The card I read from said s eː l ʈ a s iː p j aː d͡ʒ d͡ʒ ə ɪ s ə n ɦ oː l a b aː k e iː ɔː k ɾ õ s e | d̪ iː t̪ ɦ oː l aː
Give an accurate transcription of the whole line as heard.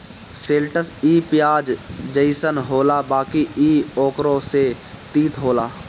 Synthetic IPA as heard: s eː l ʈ ə s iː p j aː d͡ʒ d͡ʒ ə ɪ s ə n ɦ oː l a b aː k i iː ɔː k ɾ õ s e | t̪ iː t̪ ɦ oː l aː